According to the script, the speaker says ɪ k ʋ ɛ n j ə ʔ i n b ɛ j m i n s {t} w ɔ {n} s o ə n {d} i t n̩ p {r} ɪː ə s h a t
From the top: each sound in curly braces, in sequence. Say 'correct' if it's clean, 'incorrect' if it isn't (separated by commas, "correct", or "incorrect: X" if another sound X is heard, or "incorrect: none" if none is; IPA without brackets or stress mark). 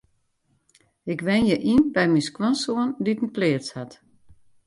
incorrect: k, correct, correct, incorrect: l